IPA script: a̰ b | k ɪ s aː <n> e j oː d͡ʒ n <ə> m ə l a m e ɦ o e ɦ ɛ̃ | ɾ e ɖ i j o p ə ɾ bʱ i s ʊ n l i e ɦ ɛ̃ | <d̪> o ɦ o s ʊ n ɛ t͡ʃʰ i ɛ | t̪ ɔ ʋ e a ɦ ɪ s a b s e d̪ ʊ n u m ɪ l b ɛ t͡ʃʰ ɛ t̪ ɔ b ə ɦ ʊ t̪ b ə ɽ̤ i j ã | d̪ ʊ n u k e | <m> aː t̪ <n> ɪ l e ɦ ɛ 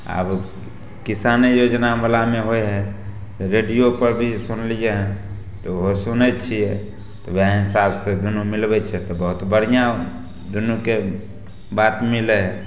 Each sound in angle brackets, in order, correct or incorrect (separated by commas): correct, incorrect, incorrect, incorrect, incorrect